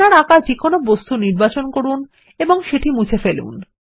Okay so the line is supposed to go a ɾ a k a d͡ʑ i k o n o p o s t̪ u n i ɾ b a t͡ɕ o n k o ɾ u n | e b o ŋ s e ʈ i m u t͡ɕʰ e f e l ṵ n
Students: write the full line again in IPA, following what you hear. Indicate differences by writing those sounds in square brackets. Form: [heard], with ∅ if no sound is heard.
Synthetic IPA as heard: a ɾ a k a d͡ʑ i k o n o [b] o s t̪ u n i ɾ b a t͡ɕ o n k o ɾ u n | e b o ŋ [ʃ] e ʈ i m u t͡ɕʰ e f e l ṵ n